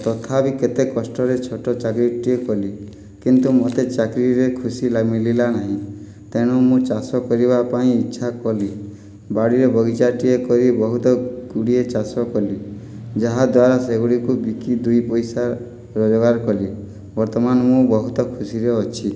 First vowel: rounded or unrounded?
rounded